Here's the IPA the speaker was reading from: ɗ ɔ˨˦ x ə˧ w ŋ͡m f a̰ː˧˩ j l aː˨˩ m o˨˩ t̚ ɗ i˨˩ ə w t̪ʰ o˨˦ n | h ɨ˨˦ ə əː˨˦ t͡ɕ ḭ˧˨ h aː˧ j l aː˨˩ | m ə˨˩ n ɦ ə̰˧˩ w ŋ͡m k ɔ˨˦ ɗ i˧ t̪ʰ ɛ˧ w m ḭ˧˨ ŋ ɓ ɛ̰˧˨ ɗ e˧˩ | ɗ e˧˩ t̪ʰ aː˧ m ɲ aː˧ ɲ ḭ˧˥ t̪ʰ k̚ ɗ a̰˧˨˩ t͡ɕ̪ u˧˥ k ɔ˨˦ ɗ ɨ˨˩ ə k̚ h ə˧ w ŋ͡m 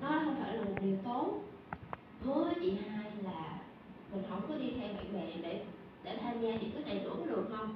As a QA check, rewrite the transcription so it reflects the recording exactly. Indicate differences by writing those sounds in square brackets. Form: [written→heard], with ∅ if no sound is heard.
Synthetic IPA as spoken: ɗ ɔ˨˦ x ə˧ w ŋ͡m f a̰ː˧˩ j l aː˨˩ m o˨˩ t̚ ɗ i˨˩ ə w [t̪ʰ→t̪] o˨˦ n | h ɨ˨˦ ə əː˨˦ t͡ɕ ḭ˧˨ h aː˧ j l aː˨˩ | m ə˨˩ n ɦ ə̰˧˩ w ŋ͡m k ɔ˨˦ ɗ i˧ t̪ʰ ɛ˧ w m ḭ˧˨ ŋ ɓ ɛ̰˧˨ ɗ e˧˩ | ɗ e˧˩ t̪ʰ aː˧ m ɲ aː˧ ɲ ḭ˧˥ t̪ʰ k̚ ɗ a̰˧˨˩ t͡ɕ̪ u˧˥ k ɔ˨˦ ɗ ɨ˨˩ ə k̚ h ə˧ w ŋ͡m

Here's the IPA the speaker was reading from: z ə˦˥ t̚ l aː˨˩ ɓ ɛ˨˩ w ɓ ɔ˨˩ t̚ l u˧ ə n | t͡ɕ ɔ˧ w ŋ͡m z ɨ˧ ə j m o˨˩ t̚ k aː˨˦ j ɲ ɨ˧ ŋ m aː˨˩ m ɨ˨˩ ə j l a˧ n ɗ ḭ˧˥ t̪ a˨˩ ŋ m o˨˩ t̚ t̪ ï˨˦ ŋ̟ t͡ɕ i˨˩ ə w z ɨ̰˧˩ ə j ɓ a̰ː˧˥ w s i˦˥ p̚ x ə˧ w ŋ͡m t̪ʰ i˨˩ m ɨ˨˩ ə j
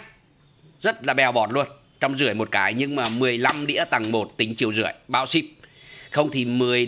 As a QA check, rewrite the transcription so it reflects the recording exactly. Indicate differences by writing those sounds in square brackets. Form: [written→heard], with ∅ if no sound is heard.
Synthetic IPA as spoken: z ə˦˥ t̚ l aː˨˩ ɓ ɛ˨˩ w ɓ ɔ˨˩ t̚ l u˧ ə n | t͡ɕ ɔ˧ w ŋ͡m z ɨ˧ ə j m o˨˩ t̚ k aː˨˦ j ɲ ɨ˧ ŋ m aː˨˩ m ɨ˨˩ ə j l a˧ [n→m] ɗ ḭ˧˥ t̪ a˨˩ ŋ m o˨˩ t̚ t̪ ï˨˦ ŋ̟ t͡ɕ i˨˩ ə w z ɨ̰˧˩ ə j ɓ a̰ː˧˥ w s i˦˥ p̚ x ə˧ w ŋ͡m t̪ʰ i˨˩ m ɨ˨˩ ə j

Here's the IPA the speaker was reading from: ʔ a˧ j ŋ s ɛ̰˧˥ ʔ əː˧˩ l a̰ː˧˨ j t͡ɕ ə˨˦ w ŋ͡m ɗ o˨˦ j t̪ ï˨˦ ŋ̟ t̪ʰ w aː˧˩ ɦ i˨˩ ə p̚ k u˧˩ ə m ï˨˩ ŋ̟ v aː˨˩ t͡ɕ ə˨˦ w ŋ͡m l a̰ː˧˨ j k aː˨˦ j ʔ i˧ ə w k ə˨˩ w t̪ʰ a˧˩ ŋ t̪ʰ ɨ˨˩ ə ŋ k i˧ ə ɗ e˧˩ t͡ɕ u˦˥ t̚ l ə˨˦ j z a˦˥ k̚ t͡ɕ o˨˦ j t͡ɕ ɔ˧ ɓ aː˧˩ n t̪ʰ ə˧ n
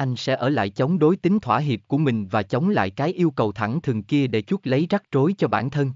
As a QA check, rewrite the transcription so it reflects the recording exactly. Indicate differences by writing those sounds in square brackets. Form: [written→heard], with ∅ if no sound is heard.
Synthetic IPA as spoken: ʔ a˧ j ŋ s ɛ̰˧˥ ʔ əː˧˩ l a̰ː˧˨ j t͡ɕ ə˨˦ w ŋ͡m ɗ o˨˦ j t̪ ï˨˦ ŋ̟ t̪ʰ w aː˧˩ ɦ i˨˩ ə p̚ k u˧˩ ə m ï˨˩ ŋ̟ v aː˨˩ t͡ɕ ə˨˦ w ŋ͡m l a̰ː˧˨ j k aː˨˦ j ʔ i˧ ə w k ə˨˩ w t̪ʰ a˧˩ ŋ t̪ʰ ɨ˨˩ ə ŋ k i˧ ə ɗ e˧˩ t͡ɕ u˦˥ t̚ l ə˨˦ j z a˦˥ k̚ t͡ɕ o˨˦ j t͡ɕ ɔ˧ ɓ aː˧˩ n t̪ʰ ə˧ n

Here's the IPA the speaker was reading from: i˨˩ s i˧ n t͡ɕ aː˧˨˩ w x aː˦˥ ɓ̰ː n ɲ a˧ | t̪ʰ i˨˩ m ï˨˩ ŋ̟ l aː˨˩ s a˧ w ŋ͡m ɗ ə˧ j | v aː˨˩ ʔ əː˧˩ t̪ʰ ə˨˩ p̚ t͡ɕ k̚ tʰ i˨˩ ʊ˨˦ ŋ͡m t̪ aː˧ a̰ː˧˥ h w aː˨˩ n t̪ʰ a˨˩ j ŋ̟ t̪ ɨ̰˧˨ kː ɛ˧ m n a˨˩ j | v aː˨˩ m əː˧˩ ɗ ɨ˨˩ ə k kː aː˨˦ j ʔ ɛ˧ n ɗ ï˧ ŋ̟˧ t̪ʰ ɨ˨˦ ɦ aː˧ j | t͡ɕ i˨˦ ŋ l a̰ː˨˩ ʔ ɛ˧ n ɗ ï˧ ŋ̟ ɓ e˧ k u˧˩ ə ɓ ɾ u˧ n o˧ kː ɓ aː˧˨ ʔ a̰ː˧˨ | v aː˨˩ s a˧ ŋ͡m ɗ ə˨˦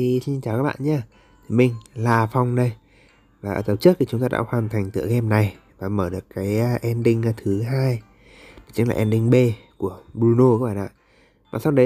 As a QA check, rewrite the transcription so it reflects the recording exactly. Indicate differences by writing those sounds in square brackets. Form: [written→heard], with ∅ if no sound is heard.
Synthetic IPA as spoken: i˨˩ s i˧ n t͡ɕ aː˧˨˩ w [x→k] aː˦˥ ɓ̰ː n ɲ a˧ | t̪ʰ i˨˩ m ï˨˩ ŋ̟ l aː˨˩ [s→f] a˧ w ŋ͡m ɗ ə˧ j | v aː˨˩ ʔ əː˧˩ [t̪ʰ→t̪] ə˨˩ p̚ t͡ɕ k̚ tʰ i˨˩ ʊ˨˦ ŋ͡m t̪ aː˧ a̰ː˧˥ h w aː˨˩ n t̪ʰ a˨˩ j ŋ̟ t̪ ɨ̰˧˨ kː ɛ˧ m n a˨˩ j | v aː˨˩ m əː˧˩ ɗ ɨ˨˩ ə k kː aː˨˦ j ʔ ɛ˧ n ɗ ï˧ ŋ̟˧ t̪ʰ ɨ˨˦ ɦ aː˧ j | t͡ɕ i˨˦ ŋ l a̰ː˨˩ ʔ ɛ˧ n ɗ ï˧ ŋ̟ ɓ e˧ k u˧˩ ə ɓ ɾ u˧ n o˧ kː ɓ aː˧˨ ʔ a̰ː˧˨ | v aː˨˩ s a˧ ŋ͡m ɗ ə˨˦

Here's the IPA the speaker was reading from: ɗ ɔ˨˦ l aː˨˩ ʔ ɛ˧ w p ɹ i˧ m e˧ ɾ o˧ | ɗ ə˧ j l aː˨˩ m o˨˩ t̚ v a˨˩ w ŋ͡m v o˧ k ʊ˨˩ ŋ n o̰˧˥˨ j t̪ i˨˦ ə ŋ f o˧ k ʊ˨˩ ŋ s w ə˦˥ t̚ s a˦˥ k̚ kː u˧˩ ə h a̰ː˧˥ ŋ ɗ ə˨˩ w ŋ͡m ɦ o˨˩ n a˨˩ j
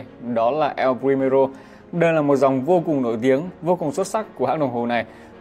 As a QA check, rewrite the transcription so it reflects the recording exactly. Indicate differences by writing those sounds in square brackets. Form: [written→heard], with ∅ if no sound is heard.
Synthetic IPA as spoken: ɗ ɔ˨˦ l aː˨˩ ʔ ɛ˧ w p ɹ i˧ m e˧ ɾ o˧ | ɗ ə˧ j l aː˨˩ m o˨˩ t̚ [v→z] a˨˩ w ŋ͡m v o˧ k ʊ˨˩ ŋ n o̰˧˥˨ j t̪ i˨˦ ə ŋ [f→v] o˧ k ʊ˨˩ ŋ s w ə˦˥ t̚ s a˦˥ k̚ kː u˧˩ ə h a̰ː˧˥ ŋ ɗ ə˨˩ w ŋ͡m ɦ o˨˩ n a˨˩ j

